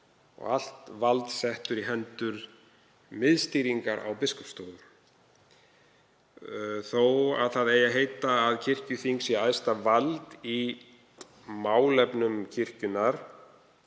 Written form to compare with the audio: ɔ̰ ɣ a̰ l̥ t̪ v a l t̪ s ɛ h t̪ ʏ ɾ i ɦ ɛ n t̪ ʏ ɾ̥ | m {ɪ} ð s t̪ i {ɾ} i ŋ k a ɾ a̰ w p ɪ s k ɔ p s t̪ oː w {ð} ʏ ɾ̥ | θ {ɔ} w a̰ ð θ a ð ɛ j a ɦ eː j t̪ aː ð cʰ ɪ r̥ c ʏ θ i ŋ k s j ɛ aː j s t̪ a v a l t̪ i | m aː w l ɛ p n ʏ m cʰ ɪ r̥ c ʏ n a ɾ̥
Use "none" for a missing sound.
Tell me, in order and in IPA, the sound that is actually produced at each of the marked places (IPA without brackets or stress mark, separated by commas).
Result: ɪ, ɾ, ð, o